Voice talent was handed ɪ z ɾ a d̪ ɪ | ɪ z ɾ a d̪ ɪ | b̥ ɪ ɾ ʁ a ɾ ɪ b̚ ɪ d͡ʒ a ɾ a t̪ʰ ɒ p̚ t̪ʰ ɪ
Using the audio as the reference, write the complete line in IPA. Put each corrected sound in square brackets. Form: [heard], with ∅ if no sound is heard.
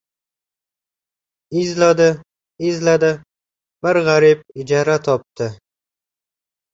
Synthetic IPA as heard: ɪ z [l] a d̪ ɪ | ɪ z [l] a d̪ ɪ | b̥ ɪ ɾ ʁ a ɾ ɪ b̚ ɪ d͡ʒ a ɾ a t̪ʰ ɒ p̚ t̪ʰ ɪ